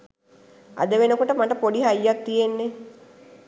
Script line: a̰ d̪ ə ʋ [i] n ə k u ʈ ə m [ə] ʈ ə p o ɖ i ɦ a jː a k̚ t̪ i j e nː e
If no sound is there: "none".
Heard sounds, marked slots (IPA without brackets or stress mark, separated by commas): e, a